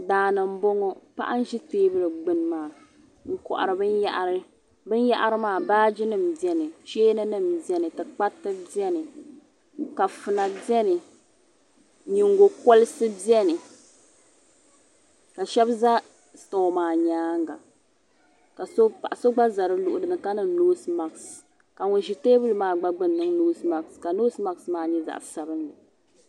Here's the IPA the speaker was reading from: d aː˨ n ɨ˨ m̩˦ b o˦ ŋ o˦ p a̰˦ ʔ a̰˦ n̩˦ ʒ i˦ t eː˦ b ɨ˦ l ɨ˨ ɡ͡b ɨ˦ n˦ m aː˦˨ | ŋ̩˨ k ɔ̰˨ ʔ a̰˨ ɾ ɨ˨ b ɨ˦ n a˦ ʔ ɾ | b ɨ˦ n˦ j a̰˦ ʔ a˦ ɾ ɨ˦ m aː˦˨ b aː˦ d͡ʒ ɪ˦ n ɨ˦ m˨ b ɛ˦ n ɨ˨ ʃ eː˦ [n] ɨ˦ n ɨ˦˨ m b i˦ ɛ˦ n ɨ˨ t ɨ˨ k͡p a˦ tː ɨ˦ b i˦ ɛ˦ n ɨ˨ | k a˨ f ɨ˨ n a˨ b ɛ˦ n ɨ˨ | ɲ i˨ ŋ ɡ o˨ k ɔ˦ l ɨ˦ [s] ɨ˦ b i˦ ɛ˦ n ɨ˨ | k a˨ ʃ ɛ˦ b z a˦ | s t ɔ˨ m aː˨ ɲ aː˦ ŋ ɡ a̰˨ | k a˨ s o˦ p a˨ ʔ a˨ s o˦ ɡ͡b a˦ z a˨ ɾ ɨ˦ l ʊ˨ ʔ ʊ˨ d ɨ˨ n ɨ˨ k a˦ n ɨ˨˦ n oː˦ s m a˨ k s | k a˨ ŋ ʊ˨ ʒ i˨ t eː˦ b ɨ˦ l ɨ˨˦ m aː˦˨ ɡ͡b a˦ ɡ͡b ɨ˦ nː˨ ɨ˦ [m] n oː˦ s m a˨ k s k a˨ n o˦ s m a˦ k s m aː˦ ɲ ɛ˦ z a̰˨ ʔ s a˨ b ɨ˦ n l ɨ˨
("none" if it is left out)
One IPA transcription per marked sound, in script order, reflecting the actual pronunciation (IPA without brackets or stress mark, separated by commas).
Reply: n, s, ŋ